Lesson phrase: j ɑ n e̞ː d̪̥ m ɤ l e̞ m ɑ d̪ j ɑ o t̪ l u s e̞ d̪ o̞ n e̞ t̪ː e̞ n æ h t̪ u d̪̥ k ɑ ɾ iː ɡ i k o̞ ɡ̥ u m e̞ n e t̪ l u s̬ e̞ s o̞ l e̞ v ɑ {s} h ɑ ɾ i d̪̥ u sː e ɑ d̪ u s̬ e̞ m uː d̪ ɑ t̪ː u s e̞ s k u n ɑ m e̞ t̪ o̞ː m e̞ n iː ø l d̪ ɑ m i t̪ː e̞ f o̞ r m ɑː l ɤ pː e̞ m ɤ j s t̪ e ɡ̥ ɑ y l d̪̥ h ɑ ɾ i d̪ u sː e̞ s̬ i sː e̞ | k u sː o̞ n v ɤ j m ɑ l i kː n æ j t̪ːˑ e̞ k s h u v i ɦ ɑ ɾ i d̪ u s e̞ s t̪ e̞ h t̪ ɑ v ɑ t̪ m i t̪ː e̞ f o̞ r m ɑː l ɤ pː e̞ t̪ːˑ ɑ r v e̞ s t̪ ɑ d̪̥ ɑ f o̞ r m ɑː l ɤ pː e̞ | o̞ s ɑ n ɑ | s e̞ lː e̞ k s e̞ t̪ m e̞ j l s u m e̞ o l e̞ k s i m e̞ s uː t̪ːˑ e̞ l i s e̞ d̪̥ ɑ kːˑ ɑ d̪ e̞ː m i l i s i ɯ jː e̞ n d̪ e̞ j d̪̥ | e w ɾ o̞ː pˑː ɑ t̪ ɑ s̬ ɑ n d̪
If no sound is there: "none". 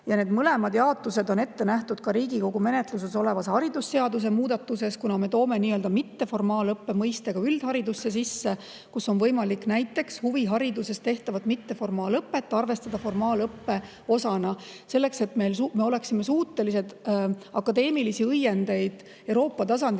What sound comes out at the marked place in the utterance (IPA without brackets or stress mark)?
s